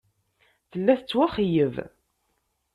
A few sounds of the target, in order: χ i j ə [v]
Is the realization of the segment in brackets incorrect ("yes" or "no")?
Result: no